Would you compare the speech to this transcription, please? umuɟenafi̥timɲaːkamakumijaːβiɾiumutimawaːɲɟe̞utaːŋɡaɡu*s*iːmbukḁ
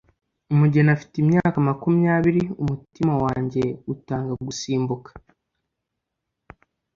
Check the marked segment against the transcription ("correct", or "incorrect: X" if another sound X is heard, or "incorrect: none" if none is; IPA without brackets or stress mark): correct